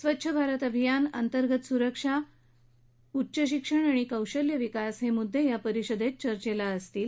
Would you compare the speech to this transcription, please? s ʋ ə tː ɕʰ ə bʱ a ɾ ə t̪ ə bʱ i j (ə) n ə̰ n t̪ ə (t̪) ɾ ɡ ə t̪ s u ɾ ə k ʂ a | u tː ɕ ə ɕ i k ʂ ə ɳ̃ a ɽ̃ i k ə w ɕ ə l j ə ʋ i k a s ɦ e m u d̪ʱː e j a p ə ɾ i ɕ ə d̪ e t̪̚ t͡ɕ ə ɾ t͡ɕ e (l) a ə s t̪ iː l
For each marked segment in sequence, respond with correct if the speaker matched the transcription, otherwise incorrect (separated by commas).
incorrect, incorrect, correct